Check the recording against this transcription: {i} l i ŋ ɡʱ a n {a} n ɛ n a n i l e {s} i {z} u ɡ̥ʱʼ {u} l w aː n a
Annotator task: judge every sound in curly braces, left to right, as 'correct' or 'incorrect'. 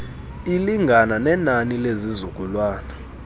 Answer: correct, correct, incorrect: z, correct, correct

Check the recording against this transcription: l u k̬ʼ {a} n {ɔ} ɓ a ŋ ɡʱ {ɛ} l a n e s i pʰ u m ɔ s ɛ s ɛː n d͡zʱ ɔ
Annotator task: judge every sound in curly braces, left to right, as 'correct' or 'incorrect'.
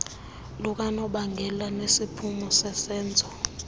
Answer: correct, correct, correct

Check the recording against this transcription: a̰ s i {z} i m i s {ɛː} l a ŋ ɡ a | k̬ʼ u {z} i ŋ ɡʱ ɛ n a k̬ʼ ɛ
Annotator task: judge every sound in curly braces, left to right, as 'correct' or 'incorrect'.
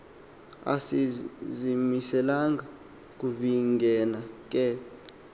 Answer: correct, incorrect: ɛ, incorrect: v

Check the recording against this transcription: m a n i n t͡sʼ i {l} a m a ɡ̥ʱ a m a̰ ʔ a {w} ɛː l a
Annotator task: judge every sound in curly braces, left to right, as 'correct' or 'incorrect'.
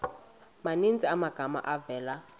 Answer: incorrect: none, incorrect: v

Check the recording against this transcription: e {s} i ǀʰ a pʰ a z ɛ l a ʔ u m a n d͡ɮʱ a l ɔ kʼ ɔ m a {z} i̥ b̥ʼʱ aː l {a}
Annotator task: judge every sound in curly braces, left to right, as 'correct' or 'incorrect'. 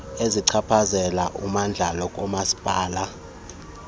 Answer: incorrect: z, incorrect: s, correct

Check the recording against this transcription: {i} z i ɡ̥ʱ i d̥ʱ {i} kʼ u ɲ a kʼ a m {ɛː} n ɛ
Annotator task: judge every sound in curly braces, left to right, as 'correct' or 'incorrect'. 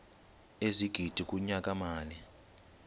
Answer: incorrect: e, correct, incorrect: aː

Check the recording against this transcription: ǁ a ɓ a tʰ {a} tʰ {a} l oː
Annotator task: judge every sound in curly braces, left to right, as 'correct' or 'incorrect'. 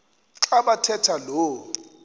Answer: incorrect: ɛ, correct

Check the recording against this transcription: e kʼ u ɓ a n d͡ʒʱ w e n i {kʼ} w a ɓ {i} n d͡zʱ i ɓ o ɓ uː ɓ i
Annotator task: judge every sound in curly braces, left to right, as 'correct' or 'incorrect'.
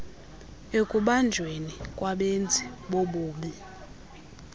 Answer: correct, incorrect: e

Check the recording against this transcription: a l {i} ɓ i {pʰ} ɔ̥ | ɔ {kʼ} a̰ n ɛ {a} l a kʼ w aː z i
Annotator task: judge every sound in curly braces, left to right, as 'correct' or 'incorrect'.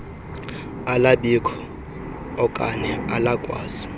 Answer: incorrect: a, incorrect: kʰ, correct, correct

